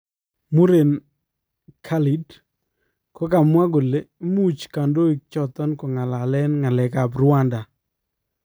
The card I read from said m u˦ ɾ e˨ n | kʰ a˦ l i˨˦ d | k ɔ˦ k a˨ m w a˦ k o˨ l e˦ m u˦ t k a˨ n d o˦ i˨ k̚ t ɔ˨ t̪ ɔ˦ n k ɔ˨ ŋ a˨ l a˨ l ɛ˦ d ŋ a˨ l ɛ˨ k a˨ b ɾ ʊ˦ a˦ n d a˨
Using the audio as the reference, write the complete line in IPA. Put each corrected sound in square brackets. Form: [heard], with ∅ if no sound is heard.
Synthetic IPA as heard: m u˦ ɾ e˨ n | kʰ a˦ l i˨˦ d | k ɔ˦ k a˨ m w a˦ [ɡ] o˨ l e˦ m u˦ [t͡ʃ] k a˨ n d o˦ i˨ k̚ [t͡ʃ] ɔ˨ t̪ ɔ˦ n k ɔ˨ ŋ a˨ l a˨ l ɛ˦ [n] ŋ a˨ l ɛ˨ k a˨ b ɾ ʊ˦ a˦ n d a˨

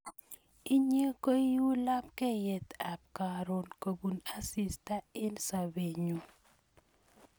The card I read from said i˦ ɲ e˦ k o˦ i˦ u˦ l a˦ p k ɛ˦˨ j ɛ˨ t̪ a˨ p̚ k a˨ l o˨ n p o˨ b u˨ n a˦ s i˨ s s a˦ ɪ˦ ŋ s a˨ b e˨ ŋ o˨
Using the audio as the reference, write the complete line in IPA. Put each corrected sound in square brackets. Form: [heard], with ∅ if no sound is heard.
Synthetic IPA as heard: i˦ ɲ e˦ k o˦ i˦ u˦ l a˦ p k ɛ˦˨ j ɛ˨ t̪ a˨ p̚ k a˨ [ɾ] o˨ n [k] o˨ b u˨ n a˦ s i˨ s [t] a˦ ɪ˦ [n] s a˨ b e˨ [ɲ] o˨

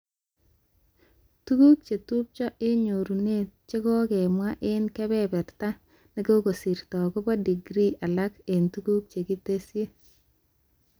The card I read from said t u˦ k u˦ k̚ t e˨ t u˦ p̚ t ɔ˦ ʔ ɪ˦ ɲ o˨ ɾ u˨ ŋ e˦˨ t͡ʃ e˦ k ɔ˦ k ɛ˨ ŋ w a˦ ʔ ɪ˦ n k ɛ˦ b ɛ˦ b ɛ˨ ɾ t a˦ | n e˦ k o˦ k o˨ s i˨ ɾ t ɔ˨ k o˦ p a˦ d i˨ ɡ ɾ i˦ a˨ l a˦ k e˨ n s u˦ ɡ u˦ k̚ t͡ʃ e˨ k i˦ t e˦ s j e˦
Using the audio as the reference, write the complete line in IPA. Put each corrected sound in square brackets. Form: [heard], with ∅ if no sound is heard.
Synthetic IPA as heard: t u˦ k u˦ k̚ [t͡ʃ] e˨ t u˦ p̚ [t͡ʃ] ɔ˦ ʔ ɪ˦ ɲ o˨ ɾ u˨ [n] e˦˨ t͡ʃ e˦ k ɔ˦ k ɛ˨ [m] w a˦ ʔ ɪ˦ n k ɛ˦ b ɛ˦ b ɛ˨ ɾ t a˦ | n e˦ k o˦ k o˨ s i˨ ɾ t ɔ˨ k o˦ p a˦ d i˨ ɡ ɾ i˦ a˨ l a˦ k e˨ n [t] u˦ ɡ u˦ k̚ t͡ʃ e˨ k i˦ t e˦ s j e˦

